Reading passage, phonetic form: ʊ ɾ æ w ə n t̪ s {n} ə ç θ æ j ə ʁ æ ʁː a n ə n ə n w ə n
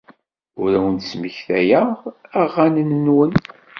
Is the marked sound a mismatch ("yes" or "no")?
yes